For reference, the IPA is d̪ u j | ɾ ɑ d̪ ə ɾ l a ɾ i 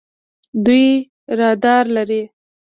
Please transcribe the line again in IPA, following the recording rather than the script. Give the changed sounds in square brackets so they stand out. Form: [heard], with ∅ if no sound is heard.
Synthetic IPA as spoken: d̪ u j | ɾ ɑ d̪ [ɑ] ɾ l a ɾ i